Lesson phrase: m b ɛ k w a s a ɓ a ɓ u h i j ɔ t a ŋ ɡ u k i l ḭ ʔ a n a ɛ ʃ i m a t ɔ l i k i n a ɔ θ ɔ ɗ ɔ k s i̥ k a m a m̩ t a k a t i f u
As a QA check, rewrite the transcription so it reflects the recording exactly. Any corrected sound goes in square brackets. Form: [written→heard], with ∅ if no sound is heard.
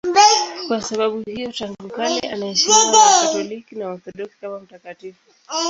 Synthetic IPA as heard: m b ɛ k w a s a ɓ a ɓ u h i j ɔ t a ŋ ɡ u k [i→a] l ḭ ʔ a n a ɛ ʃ i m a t ɔ l i k i n a ɔ θ ɔ ɗ ɔ k s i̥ k a m a m̩ t a k a t i f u